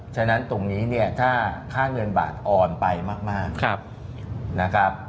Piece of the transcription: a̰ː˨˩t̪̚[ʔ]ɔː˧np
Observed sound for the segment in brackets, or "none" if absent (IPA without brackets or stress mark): ʔ